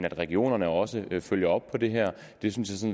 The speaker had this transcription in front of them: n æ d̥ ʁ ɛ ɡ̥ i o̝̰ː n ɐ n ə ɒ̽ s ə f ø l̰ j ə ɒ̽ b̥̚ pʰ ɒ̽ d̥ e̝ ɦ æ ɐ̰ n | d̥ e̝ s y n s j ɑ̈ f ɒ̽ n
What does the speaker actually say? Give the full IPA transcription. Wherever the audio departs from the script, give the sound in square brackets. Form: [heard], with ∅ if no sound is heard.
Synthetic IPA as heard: n æ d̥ ʁ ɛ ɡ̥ i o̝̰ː n ɐ n ə ɒ̽ s ə f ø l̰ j [ɐ] ɒ̽ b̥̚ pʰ ɒ̽ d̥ e̝ ɦ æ ɐ̰ [∅] | d̥ e̝ s y n s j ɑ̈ [s] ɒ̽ n